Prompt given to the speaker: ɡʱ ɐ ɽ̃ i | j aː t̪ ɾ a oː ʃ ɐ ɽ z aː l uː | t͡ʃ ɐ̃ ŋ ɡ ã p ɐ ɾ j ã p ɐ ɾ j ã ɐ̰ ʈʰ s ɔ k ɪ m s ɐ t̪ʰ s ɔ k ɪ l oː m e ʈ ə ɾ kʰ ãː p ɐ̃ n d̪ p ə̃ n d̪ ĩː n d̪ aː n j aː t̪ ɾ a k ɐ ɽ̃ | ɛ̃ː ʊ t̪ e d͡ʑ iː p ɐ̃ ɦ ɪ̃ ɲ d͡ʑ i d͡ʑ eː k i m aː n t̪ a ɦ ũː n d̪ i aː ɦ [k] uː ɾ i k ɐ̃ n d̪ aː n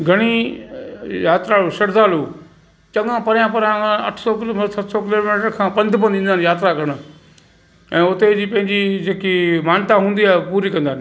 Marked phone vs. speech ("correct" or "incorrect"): incorrect